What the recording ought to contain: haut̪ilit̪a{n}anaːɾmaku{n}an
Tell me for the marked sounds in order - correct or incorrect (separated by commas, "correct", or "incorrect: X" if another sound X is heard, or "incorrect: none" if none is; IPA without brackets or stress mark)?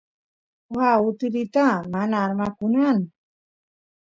incorrect: m, correct